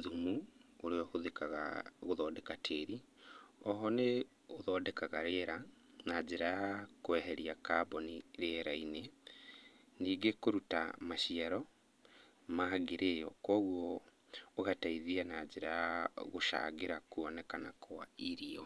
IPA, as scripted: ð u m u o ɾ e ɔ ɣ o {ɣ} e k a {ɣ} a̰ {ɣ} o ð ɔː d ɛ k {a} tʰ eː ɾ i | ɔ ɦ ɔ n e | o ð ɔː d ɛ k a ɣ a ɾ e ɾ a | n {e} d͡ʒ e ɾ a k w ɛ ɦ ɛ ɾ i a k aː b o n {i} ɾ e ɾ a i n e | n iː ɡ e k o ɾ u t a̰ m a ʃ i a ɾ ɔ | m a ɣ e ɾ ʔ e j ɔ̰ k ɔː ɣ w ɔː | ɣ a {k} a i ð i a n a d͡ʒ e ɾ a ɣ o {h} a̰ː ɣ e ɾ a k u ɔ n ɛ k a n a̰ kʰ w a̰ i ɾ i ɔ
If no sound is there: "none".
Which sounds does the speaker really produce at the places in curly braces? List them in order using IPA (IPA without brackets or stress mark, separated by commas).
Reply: ð, ɣ, ɣ, a, a, i, t, ʃ